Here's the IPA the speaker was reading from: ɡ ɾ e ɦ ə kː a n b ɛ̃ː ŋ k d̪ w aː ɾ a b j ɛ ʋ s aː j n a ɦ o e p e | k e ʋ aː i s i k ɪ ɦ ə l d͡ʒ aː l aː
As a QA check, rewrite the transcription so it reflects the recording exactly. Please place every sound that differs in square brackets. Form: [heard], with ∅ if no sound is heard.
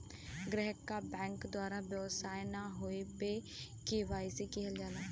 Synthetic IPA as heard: ɡ ɾ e ɦ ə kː a [∅] b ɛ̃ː ŋ k d̪ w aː ɾ a b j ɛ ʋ s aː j n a ɦ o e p e | k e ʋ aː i s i k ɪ ɦ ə l d͡ʒ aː l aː